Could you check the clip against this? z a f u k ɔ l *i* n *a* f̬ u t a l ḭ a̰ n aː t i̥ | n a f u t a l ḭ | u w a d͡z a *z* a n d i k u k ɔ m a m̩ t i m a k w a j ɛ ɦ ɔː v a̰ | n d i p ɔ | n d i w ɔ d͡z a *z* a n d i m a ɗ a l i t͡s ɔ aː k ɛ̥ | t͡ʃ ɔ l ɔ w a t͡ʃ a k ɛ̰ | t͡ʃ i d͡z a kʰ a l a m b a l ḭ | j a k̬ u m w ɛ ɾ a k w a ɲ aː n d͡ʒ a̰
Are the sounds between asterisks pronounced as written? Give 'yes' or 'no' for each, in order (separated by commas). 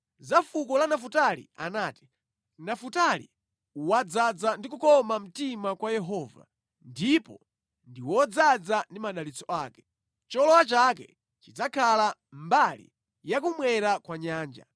no, yes, no, no